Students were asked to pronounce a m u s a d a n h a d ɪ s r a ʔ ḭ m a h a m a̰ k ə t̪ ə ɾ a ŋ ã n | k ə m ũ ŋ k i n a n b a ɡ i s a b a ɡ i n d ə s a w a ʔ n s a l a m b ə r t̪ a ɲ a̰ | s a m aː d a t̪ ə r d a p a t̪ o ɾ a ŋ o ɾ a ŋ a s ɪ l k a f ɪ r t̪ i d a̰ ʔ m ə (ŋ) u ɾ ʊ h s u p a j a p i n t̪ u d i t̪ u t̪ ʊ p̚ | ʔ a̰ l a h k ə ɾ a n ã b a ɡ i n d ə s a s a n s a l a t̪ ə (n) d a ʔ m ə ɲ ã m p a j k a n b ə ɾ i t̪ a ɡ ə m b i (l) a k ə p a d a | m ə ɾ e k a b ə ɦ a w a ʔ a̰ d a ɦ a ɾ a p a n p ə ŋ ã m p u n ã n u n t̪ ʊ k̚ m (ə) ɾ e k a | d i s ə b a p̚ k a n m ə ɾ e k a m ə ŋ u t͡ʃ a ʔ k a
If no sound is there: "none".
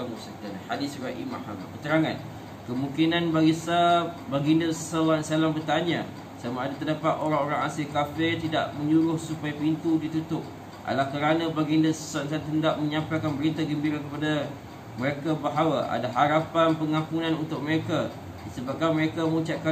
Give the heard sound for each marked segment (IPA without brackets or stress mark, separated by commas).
ɲ, n, ɾ, ə